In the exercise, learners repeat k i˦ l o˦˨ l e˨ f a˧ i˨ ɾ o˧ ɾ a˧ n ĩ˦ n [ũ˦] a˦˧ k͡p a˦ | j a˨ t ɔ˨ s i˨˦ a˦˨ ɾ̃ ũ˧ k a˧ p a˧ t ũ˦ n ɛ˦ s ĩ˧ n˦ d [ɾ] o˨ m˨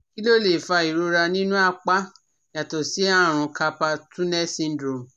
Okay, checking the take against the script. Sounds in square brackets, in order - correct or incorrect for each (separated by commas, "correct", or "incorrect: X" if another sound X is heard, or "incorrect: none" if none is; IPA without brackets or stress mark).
correct, correct